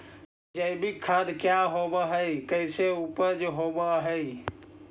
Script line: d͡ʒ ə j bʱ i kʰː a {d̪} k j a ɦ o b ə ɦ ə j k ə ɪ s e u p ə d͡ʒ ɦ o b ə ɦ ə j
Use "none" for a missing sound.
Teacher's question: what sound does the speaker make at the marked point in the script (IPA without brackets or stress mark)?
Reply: d̪